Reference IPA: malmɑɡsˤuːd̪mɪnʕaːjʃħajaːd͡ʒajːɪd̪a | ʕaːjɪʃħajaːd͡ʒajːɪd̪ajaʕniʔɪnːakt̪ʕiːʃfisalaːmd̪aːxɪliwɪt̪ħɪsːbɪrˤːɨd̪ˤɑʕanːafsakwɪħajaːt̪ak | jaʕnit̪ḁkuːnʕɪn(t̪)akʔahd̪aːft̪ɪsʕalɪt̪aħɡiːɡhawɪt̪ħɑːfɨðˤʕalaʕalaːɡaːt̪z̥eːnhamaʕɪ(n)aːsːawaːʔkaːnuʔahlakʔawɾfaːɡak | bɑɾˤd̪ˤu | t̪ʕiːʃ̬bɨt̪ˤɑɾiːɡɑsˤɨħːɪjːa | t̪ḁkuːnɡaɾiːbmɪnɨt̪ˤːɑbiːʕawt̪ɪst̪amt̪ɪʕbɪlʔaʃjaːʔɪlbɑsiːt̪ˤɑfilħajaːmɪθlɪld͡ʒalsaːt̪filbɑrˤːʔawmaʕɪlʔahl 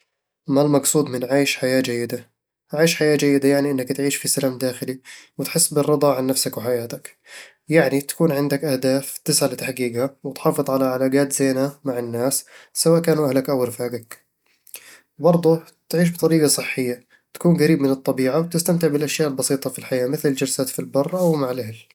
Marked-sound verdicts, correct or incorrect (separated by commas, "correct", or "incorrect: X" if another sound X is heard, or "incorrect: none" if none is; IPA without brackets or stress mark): incorrect: d̪, incorrect: nː